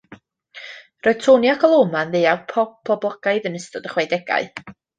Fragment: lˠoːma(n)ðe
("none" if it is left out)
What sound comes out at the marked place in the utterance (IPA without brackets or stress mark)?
n